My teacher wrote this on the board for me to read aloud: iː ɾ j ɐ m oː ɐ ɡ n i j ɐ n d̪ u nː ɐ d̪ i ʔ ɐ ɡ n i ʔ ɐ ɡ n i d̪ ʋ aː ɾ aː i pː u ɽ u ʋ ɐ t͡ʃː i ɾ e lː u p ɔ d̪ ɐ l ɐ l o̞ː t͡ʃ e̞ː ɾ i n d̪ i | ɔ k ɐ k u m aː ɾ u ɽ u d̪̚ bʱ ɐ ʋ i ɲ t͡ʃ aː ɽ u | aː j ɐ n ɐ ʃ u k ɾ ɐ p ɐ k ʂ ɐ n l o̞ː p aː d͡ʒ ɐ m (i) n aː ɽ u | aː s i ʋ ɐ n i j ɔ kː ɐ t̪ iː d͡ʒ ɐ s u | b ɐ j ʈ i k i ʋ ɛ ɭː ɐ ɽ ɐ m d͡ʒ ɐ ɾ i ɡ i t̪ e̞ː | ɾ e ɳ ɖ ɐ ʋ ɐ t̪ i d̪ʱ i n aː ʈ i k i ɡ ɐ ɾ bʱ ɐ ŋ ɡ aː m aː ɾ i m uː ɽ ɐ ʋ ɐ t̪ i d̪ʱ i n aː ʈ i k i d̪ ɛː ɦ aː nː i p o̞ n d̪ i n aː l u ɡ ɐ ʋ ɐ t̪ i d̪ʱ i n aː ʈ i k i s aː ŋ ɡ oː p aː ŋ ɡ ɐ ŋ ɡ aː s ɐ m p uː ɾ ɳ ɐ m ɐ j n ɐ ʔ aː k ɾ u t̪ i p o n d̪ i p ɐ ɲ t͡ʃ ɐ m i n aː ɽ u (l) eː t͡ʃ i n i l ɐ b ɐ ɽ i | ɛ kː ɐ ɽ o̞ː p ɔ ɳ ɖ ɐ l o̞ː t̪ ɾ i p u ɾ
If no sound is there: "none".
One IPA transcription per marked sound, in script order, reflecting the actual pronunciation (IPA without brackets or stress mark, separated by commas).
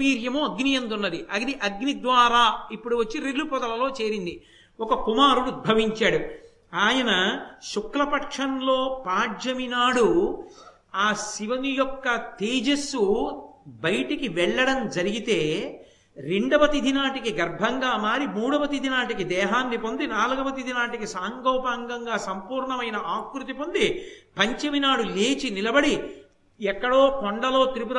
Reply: i, l